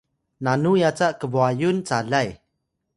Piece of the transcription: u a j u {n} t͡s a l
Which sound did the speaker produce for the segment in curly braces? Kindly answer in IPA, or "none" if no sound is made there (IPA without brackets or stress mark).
n